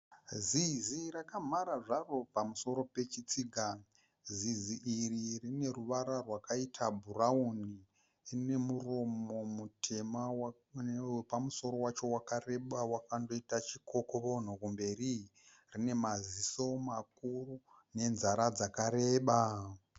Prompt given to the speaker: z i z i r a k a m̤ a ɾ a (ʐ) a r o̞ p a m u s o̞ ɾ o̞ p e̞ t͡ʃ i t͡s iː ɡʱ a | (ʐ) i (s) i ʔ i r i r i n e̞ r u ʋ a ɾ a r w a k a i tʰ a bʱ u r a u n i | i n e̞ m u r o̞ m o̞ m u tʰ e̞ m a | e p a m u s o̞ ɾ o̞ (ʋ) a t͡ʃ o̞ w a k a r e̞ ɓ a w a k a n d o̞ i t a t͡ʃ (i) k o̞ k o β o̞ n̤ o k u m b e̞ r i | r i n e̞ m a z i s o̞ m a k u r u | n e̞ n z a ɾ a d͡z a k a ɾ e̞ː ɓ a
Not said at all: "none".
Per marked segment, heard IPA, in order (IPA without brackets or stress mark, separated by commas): ʐ, z, z, w, i